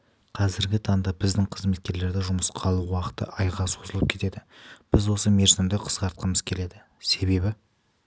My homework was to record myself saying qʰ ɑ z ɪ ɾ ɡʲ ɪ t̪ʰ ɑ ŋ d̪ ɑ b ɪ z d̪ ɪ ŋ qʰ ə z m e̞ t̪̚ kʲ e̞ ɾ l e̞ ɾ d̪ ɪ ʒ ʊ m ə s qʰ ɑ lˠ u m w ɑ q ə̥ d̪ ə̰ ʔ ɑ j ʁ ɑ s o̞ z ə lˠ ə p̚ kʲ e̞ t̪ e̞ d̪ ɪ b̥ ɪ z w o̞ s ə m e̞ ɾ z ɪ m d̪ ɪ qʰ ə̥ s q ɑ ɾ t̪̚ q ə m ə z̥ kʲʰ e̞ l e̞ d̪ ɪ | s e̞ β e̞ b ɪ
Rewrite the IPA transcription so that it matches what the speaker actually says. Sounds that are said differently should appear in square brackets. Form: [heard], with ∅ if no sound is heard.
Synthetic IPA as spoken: qʰ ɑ z ɪ ɾ ɡʲ ɪ t̪ʰ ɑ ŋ d̪ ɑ b ɪ z d̪ ɪ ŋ qʰ ə z m e̞ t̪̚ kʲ e̞ ɾ l e̞ ɾ d̪ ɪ ʒ ʊ m ə s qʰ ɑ lˠ u [∅] w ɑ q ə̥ [t̪] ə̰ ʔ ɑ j ʁ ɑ s o̞ z ə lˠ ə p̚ [kʲʰ] e̞ t̪ e̞ d̪ ɪ b̥ ɪ z w o̞ s ə m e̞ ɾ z ɪ m d̪ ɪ qʰ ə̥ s q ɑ ɾ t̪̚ q ə m ə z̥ kʲʰ e̞ l e̞ d̪ ɪ | s e̞ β e̞ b ɪ